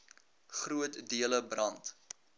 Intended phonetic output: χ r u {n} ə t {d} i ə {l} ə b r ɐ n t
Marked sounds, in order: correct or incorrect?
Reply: incorrect: none, correct, correct

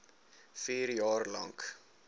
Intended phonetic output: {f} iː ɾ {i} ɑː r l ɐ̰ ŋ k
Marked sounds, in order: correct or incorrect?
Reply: correct, incorrect: j

